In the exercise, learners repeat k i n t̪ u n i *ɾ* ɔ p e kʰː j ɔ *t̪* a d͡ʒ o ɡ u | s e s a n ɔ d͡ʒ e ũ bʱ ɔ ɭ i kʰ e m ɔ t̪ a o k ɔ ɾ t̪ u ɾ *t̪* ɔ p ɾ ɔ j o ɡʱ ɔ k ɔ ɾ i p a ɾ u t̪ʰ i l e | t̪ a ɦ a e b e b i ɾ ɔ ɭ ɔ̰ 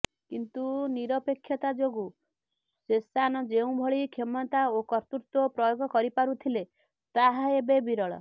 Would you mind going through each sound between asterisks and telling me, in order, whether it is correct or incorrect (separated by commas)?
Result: correct, correct, correct